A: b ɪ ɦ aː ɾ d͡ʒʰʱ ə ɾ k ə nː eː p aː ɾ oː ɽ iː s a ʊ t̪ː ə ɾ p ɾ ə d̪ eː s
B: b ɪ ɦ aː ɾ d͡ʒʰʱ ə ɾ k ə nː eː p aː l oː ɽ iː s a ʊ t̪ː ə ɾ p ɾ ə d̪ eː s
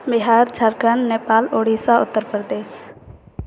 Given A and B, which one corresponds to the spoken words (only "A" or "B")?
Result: B